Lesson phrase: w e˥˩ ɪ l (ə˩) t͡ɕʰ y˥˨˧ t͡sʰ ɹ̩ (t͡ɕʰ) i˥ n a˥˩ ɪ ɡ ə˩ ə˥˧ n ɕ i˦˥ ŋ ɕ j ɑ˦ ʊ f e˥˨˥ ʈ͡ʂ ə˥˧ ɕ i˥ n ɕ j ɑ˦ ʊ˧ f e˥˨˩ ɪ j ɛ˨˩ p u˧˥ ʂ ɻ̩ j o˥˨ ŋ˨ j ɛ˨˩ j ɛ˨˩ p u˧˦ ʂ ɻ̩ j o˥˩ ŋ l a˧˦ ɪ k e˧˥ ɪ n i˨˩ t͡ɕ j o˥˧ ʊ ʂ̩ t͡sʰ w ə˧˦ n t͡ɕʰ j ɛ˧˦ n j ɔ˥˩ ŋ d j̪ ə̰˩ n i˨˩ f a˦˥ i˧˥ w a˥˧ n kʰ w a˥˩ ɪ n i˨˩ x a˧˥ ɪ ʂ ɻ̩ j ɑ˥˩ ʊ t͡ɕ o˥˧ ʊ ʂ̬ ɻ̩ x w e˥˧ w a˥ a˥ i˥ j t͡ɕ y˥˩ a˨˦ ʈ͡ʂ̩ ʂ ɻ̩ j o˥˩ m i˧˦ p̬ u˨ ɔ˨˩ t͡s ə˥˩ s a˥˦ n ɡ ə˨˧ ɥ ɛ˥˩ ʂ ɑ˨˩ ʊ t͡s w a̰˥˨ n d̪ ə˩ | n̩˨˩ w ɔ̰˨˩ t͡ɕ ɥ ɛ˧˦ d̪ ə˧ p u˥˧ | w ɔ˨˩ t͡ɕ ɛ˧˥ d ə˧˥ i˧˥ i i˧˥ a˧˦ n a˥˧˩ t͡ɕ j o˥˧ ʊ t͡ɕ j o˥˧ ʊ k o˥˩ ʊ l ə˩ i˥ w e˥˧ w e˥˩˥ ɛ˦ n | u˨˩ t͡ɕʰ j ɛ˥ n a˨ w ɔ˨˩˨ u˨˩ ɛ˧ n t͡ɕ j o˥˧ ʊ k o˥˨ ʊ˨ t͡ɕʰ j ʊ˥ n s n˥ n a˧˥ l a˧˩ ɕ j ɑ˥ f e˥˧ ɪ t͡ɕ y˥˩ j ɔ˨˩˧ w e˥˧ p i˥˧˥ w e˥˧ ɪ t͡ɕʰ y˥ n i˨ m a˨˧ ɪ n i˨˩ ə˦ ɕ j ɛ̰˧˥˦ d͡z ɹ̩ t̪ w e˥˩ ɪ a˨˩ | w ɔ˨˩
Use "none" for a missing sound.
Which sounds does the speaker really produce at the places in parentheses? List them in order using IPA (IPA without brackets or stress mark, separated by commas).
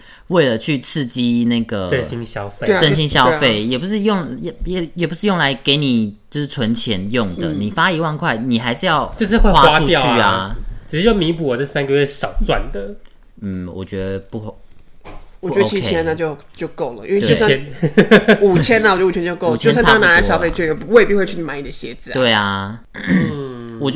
ə˩, t͡ɕ